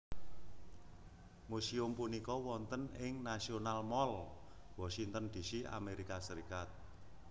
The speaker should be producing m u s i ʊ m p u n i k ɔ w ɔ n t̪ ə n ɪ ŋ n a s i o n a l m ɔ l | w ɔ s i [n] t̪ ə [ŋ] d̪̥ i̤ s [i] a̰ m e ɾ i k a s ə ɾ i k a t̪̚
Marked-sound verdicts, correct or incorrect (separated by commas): incorrect, incorrect, correct